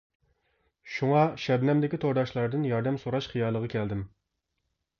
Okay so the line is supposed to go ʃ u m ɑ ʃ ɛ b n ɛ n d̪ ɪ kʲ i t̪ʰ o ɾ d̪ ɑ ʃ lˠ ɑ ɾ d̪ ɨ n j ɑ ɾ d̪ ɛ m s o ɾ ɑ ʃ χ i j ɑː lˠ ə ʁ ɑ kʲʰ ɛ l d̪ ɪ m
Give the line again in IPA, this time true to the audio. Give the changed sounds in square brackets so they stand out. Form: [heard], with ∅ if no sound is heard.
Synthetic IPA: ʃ u [ŋ] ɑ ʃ ɛ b n ɛ [m] d̪ ɪ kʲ i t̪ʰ o ɾ d̪ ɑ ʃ lˠ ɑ ɾ d̪ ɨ n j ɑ ɾ d̪ ɛ m s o ɾ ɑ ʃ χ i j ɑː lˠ ə ʁ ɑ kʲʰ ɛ l d̪ ɪ m